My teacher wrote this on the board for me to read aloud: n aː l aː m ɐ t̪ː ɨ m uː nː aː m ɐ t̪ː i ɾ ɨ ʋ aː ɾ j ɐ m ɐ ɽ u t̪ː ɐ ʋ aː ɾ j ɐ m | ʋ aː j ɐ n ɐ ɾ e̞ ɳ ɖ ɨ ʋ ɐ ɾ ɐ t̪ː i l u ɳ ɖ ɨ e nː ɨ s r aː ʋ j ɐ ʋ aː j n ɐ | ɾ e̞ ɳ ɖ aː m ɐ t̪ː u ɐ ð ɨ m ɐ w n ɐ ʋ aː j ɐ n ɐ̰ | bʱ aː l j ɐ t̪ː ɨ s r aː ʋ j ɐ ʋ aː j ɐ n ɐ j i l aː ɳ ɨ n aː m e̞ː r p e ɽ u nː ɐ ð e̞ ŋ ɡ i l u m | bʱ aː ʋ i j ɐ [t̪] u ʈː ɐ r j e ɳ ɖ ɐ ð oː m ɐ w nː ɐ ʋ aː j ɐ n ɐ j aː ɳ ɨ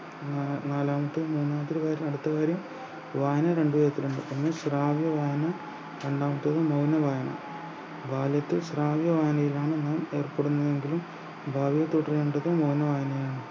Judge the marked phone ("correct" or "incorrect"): correct